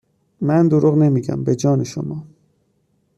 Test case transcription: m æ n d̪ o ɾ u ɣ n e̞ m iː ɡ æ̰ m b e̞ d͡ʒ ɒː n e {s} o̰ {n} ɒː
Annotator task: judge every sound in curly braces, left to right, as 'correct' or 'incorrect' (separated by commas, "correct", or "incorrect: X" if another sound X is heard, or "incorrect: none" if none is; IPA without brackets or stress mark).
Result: incorrect: ʃ, incorrect: m